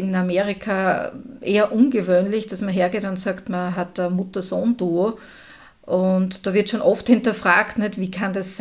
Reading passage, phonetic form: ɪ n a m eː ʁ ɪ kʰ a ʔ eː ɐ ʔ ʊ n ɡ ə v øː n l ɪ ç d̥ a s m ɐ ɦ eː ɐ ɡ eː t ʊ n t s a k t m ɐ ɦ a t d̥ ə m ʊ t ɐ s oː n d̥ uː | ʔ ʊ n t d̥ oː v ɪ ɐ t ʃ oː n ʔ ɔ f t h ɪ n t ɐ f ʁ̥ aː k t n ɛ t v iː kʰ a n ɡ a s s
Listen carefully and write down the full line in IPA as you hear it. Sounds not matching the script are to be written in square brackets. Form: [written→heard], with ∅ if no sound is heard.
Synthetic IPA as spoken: ɪ n a m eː ʁ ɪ kʰ a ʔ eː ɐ ʔ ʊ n ɡ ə v øː n l ɪ ç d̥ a s m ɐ ɦ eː ɐ ɡ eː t ʊ n t s a k t m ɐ ɦ a t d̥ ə m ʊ t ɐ s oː n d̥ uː | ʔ ʊ n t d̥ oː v ɪ ɐ t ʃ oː n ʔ ɔ f t h ɪ n t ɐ f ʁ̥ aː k t n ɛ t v iː kʰ a n [ɡ→d] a s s